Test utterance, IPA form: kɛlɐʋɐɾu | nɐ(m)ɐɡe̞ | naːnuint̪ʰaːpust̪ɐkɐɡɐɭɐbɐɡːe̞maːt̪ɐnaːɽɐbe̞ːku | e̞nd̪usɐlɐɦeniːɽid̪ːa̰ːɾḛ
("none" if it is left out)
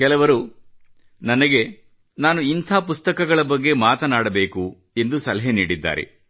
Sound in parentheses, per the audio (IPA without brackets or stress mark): n